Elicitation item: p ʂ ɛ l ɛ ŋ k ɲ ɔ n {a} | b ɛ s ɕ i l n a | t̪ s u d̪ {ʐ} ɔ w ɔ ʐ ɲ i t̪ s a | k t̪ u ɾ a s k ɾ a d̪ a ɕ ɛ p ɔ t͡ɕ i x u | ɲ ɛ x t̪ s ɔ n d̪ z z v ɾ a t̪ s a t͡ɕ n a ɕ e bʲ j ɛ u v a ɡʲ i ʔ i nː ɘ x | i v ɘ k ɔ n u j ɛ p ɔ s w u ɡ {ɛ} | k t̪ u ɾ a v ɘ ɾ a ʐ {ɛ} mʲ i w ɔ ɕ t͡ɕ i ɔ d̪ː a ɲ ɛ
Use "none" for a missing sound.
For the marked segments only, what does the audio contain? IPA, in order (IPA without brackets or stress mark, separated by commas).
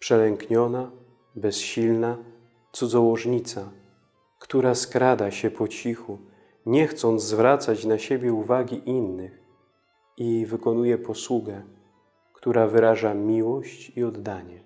a, z, ɛ, a